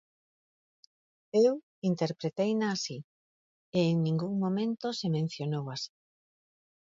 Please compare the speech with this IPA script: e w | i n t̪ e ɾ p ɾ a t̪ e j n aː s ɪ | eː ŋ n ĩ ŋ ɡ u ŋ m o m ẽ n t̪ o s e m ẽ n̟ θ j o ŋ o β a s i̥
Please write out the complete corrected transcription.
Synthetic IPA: e w | i n t̪ e ɾ p ɾ e t̪ e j n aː s i | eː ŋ n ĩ ŋ ɡ u ŋ m o m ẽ n t̪ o s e m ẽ n̟ θ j o n o w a s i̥